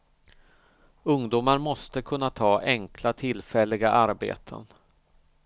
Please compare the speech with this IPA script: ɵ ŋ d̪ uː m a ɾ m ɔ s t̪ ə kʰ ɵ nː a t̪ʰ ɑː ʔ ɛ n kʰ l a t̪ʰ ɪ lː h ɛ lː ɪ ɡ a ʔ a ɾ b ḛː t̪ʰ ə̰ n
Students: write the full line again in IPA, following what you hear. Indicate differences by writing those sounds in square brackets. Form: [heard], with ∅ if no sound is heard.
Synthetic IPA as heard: ɵ ŋ d̪ uː m a ɾ m ɔ s t̪ ə kʰ ɵ nː a t̪ʰ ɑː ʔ ɛ [ŋ] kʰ l a t̪ʰ ɪ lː [f] ɛ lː ɪ ɡ a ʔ a ɾ b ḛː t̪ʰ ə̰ n